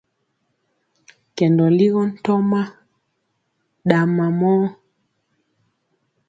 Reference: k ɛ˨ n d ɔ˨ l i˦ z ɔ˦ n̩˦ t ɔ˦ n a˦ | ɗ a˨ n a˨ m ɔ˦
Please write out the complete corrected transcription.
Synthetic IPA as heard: k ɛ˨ n d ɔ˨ l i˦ ɣ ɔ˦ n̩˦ t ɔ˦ m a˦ | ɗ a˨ m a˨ m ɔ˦